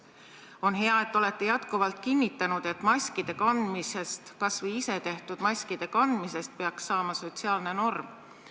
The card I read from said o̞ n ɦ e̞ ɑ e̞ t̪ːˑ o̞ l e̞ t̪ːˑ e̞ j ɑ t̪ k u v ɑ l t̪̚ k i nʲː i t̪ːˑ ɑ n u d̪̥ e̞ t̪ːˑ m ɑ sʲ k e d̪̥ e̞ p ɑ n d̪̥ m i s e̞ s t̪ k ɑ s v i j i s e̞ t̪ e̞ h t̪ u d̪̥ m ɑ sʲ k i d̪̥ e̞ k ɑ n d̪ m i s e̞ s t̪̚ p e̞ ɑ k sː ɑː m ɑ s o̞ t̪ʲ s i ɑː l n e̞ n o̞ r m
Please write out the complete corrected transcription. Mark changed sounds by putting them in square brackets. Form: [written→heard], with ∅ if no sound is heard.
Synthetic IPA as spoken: o̞ n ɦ e̞ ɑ e̞ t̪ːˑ o̞ l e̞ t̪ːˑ e̞ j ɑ t̪ k u v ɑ l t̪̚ k i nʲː i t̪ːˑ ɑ n u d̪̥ e̞ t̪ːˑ m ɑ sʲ k [e→i] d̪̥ e̞ [p→k] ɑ n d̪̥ m i s e̞ s t̪ k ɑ s v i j i s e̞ t̪ e̞ h t̪ u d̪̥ m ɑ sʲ k i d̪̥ e̞ k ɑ n d̪ m i s e̞ s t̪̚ p e̞ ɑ k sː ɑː m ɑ s o̞ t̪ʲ s i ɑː l n e̞ n o̞ r m